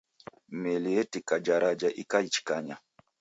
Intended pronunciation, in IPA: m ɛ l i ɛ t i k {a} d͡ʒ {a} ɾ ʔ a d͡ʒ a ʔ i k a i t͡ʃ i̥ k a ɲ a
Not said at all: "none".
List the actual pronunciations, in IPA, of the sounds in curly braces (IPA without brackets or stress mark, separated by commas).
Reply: a, a